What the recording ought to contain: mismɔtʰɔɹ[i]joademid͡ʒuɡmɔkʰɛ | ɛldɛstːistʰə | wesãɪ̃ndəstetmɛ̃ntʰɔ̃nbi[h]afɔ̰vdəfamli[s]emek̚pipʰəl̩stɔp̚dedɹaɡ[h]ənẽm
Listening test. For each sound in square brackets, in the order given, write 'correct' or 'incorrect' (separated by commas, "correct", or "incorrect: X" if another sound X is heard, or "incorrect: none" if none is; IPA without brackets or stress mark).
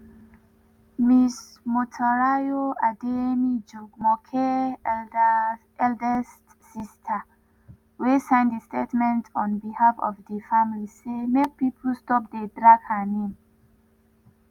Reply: incorrect: a, correct, correct, correct